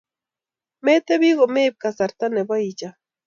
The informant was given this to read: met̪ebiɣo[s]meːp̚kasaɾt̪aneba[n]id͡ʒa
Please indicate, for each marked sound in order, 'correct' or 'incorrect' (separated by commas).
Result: incorrect, incorrect